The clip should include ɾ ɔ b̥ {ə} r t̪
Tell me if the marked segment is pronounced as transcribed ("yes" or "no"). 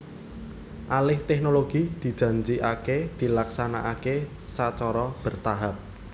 yes